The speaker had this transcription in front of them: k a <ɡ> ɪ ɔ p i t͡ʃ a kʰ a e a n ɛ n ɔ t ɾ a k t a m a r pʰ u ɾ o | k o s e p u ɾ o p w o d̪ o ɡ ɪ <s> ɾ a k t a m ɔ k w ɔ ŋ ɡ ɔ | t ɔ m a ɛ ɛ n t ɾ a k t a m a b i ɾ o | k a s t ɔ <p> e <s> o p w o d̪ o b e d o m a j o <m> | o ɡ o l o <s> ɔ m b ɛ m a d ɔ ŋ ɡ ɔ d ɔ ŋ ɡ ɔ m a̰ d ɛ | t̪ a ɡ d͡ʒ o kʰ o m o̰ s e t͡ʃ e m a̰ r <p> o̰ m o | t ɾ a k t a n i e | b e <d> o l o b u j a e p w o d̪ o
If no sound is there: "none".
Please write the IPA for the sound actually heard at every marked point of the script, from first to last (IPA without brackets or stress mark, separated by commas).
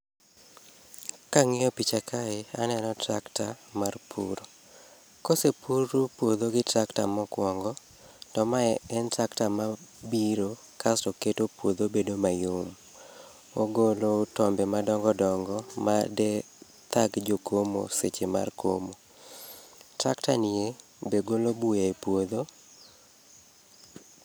ŋ, t, k, t, m, t, k, ɡ